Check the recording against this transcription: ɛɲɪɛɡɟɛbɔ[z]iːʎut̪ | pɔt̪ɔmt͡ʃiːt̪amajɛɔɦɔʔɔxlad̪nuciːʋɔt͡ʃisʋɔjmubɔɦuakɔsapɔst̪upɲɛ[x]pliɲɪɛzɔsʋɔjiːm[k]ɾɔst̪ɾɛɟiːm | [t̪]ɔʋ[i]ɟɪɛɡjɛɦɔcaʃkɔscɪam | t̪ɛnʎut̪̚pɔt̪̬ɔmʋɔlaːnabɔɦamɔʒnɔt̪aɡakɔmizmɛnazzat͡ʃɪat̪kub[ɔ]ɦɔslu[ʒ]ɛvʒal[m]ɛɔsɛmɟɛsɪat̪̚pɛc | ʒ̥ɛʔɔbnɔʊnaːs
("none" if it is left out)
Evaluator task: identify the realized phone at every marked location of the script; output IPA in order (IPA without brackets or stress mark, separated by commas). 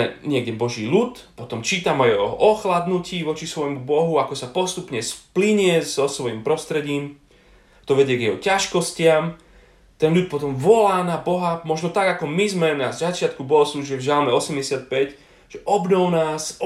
ʒ, s, p, t̪, ɛ, ɔ, ʒ, m